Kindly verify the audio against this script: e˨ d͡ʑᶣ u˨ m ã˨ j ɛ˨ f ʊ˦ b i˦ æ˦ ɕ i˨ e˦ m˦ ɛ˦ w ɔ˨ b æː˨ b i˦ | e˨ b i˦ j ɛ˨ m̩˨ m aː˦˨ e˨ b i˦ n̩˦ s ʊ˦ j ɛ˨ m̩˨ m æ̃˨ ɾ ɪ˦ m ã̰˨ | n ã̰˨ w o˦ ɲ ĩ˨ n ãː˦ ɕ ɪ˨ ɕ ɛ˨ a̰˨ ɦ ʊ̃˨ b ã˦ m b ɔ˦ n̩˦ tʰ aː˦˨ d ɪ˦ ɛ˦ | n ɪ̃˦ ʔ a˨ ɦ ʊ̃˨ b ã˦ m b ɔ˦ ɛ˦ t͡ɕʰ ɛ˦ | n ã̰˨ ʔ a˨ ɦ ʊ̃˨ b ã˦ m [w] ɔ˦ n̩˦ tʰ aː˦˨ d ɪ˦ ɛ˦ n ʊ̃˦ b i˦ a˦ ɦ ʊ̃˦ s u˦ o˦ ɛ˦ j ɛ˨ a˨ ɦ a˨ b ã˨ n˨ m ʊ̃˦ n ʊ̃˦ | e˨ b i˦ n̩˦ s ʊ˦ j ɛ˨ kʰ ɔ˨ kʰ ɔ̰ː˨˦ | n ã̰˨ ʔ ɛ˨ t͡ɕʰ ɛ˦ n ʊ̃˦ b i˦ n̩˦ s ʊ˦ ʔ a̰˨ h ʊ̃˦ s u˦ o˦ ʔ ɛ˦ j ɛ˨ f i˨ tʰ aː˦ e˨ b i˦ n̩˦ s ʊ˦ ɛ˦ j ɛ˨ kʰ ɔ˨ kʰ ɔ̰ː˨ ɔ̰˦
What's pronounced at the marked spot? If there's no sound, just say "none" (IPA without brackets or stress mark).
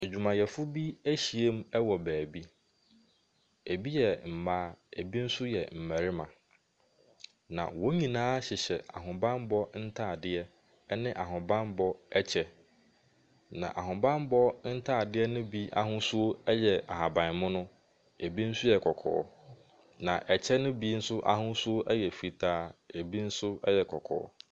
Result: b